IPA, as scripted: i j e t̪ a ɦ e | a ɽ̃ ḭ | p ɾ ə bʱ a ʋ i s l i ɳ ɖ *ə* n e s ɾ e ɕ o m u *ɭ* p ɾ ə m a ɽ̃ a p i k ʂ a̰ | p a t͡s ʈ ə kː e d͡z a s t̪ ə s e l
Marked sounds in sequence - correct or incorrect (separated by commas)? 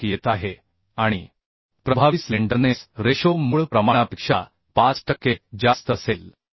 correct, correct